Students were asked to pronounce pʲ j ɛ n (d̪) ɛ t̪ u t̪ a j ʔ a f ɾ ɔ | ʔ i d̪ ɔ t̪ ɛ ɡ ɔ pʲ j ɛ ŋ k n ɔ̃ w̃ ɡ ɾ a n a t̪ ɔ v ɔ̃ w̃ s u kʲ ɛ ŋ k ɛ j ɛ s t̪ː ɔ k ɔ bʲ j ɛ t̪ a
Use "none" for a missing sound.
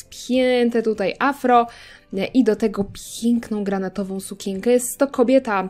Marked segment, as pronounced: t̪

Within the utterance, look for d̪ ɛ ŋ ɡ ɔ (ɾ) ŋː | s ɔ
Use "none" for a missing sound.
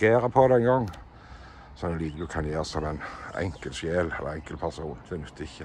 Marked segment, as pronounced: none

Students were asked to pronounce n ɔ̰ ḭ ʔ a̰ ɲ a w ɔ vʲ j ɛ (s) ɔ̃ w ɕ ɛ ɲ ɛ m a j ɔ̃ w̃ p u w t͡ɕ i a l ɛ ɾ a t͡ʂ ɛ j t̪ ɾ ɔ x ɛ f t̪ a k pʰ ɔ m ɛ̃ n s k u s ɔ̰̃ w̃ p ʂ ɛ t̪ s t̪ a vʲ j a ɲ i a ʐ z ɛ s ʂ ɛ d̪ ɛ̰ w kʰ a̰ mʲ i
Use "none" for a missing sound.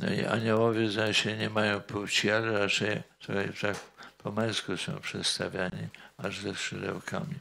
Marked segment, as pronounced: z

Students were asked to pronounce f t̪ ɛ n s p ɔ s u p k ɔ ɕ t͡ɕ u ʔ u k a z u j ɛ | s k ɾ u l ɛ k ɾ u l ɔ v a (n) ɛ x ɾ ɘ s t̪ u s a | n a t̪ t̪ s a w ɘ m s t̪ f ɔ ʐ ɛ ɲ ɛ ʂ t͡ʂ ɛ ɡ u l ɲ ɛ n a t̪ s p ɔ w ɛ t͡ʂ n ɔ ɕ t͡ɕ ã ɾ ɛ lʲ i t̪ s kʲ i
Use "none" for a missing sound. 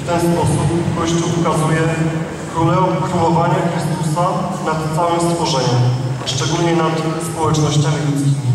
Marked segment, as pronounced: ɲ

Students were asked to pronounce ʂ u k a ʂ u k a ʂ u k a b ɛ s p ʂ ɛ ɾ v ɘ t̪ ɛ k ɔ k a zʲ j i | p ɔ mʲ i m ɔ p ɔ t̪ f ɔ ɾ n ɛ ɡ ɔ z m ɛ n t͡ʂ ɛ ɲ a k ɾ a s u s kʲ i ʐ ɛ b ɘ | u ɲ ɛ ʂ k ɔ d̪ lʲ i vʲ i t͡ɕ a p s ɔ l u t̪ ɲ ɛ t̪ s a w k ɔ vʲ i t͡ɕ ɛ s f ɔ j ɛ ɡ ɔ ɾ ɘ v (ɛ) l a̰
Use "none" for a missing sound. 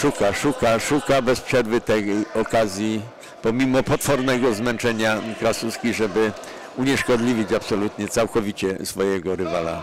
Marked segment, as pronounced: a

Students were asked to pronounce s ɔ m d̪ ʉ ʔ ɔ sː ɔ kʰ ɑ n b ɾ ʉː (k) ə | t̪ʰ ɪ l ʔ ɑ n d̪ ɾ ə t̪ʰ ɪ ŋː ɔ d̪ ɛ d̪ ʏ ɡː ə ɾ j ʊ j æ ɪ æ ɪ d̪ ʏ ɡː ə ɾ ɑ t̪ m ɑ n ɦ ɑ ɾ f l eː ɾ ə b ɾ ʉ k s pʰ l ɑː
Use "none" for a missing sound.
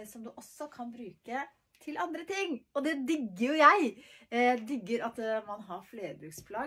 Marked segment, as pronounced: k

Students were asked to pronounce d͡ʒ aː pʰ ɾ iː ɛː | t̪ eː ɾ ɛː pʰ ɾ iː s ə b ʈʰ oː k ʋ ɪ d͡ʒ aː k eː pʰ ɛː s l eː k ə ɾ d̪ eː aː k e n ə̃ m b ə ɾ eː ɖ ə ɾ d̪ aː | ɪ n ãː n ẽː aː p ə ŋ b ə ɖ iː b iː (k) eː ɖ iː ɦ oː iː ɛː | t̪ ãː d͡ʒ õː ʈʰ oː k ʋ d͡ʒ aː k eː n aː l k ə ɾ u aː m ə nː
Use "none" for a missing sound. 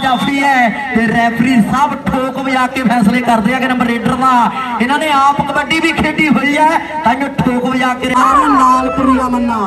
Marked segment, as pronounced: kʰ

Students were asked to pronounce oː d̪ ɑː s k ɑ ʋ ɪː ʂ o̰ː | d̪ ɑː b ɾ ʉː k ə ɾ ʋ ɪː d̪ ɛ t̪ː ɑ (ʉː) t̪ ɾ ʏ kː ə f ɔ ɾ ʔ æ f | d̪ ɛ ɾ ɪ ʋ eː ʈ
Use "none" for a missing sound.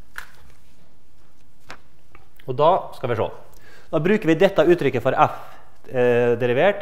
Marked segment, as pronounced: ʉː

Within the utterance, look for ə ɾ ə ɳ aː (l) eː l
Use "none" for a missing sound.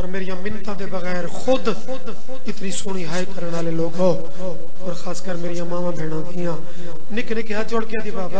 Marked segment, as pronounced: l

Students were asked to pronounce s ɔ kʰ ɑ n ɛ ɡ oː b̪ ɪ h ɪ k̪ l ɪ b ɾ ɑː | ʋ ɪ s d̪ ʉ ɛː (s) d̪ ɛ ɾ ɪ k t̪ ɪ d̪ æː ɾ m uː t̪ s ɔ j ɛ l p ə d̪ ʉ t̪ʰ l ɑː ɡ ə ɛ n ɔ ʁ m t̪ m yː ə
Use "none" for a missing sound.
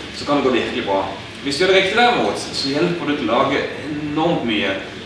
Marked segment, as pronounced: none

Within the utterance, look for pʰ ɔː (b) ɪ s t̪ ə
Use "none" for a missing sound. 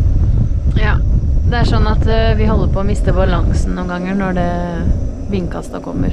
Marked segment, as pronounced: m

